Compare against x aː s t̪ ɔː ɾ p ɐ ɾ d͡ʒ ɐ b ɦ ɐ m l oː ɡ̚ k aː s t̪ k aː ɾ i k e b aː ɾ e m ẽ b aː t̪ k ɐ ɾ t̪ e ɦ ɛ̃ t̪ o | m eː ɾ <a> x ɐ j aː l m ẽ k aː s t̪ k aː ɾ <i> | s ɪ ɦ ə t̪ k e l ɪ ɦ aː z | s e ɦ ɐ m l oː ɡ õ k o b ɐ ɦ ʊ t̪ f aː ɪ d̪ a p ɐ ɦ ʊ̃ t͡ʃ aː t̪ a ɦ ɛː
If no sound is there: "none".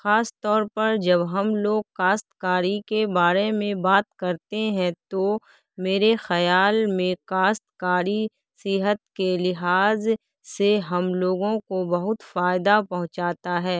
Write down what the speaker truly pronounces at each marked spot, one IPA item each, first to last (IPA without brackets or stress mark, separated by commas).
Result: e, i